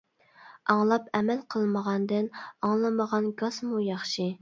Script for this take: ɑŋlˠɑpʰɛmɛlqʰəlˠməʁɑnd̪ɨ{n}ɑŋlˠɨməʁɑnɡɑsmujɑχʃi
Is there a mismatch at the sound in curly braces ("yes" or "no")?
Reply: no